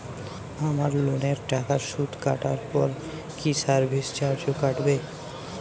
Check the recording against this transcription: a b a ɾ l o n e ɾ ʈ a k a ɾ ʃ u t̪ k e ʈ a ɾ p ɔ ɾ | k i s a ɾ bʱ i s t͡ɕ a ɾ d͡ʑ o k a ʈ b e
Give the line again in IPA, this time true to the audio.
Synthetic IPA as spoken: a m a ɾ l o n e ɾ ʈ a k a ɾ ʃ u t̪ k a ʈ a ɾ p ɔ ɾ | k i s a ɾ bʱ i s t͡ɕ a ɾ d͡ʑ o k a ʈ b e